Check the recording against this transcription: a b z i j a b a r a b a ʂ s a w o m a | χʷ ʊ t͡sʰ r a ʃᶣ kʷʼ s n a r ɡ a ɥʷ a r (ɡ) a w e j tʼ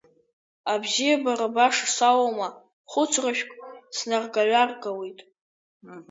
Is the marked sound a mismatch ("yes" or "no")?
no